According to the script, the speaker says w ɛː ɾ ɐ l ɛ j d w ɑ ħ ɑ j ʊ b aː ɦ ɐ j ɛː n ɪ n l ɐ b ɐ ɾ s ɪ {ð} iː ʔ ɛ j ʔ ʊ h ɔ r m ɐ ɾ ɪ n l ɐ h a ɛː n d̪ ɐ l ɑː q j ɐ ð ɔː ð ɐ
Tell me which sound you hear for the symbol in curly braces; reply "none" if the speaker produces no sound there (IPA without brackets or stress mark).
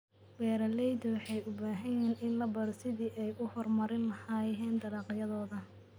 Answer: ð